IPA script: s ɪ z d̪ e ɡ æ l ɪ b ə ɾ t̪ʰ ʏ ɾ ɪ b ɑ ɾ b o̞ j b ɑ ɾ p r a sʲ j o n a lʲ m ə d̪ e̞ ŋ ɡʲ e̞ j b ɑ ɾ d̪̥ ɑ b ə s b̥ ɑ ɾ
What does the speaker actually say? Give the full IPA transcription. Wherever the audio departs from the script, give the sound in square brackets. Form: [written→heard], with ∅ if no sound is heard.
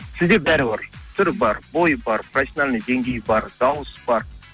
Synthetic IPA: s ɪ z d̪ e [ɡ→b] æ [l→ɾ] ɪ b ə ɾ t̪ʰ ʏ ɾ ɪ b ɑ ɾ b o̞ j b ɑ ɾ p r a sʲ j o n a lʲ [m→n] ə d̪ e̞ ŋ ɡʲ e̞ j b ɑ ɾ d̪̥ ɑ [b→w] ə s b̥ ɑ ɾ